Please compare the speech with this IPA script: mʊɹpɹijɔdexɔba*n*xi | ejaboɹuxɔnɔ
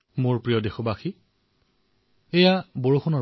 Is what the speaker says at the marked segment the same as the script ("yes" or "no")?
no